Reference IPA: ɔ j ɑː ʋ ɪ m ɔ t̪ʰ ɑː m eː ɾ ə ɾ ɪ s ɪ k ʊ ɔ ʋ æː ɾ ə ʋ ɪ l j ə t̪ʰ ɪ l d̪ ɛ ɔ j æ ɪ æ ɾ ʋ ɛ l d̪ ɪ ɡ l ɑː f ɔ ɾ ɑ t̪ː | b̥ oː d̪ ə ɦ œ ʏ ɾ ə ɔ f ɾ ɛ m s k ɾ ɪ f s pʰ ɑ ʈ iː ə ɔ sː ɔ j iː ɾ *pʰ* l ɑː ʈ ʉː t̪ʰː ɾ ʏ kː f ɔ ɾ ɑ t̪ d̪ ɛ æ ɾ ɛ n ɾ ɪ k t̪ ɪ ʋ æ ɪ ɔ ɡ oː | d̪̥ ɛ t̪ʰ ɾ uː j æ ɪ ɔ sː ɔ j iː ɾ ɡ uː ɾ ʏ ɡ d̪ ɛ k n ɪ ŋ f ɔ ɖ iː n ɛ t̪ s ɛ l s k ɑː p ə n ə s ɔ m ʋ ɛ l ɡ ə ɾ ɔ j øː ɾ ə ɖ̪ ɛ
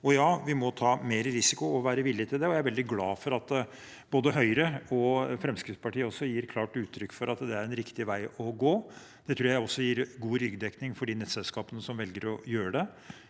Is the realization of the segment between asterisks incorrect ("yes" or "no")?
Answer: yes